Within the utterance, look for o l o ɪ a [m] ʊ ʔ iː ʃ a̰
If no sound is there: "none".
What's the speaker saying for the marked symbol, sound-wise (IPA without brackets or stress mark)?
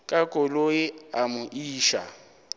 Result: m